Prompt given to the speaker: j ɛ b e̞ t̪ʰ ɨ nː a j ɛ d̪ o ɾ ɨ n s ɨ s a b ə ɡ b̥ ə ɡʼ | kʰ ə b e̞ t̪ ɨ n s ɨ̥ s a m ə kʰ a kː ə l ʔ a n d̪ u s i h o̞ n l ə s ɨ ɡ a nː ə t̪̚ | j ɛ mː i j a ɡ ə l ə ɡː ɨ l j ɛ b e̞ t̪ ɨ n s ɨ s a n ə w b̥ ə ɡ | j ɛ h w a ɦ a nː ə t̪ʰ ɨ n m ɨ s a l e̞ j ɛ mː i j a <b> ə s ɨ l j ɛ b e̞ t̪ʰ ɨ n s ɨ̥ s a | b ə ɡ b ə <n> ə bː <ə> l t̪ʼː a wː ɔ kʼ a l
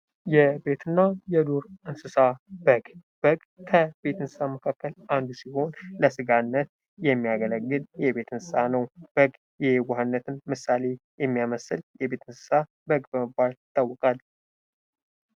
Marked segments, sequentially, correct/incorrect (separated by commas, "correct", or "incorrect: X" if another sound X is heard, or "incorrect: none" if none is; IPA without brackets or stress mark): incorrect: m, incorrect: m, incorrect: a